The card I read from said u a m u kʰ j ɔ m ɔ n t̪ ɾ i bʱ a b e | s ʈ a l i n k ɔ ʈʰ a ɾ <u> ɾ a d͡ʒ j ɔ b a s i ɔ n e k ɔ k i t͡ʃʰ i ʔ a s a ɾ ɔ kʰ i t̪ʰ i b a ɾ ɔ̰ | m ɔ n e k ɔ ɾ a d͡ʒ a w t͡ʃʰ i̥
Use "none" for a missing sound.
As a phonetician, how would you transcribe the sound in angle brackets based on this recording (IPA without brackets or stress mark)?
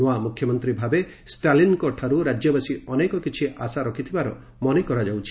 u